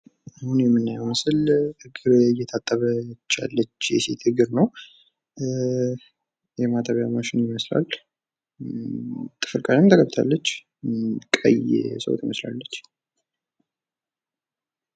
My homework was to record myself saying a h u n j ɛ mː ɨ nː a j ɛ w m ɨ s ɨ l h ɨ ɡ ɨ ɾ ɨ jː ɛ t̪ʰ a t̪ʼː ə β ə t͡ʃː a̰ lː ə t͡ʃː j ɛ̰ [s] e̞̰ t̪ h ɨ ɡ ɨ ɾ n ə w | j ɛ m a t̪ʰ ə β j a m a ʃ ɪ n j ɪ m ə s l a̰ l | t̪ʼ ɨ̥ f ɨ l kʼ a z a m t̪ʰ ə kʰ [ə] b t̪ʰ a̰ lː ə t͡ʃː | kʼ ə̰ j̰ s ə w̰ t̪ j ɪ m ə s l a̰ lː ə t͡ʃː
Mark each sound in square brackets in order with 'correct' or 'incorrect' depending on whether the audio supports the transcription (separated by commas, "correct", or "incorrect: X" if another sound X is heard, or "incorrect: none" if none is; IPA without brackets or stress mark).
correct, correct